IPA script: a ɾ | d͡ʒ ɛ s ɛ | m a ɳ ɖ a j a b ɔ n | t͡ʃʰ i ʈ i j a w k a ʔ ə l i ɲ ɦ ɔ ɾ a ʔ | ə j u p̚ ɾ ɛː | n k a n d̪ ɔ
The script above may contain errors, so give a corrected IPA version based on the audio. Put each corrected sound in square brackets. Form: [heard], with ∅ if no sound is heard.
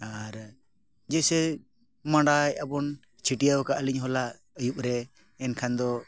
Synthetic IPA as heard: a ɾ | d͡ʒ ɛ s ɛ | m a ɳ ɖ a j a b ɔ n | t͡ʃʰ i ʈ i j a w k a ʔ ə l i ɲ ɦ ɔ [l] a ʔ | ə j u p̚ ɾ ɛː | n [kʰ] a n d̪ ɔ